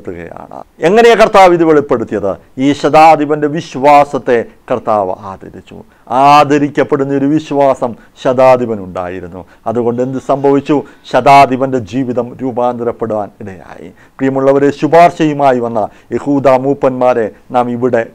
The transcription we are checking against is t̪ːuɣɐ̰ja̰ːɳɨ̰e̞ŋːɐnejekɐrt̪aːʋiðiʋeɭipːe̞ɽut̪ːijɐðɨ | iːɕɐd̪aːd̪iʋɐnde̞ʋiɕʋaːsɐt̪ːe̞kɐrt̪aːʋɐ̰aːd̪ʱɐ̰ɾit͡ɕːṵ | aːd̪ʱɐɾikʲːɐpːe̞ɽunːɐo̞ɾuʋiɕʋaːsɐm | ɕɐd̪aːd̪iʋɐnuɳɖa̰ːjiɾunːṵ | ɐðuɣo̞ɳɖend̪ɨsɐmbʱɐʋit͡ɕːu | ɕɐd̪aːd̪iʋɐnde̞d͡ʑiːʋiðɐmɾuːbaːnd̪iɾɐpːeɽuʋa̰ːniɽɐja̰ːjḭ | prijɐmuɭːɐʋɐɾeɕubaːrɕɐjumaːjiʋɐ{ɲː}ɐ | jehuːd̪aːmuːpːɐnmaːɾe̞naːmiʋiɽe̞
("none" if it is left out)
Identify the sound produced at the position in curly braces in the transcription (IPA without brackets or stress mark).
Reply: nː